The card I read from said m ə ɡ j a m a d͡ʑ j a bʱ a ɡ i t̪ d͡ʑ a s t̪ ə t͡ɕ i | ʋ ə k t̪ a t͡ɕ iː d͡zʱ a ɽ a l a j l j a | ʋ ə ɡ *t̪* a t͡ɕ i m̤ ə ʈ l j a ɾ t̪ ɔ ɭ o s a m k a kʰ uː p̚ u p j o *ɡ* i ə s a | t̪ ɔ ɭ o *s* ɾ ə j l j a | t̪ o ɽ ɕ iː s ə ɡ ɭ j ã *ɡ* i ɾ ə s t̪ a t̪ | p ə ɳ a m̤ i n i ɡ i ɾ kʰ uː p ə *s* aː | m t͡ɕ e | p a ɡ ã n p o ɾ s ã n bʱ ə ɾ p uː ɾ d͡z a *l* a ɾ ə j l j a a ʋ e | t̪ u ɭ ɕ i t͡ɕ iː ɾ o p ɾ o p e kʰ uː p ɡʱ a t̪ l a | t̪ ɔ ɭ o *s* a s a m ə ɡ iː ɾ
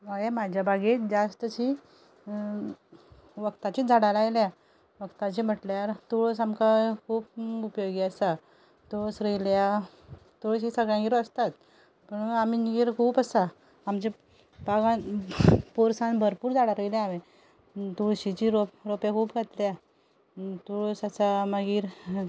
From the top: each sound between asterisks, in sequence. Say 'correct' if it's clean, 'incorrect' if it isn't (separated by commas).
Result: correct, correct, correct, correct, correct, incorrect, correct